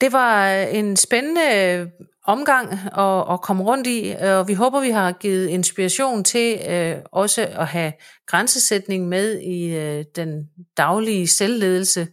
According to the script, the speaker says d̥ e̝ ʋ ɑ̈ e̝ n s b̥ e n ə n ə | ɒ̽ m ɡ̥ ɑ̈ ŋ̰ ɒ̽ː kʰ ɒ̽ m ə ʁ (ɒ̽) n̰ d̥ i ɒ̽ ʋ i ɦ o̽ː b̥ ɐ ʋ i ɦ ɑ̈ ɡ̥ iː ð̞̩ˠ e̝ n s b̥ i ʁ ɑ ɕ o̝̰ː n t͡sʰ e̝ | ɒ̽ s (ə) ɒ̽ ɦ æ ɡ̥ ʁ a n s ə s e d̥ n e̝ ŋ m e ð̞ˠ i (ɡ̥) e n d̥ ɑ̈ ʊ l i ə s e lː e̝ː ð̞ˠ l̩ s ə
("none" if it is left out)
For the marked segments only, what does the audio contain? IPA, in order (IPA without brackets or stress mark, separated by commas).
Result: ɔ̽, ə, d̥